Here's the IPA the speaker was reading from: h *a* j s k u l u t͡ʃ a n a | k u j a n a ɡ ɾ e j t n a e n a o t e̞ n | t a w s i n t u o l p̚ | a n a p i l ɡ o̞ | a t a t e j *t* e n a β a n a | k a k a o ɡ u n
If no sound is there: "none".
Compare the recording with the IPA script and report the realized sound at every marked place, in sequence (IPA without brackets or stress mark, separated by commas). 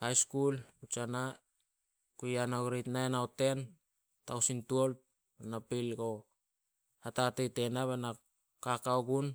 a, t